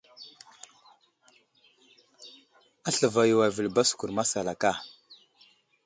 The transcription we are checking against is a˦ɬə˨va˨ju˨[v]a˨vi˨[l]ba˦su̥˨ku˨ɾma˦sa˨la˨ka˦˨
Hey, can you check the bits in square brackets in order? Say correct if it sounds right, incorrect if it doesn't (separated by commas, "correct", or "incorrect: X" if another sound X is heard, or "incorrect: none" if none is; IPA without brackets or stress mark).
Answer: incorrect: w, correct